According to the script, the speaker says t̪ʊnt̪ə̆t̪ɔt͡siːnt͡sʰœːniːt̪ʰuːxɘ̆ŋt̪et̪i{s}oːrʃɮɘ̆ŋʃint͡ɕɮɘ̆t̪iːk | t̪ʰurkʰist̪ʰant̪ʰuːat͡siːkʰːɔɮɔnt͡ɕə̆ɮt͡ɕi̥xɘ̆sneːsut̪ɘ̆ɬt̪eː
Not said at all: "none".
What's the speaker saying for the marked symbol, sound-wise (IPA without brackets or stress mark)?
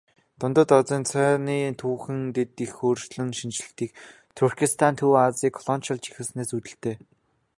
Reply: x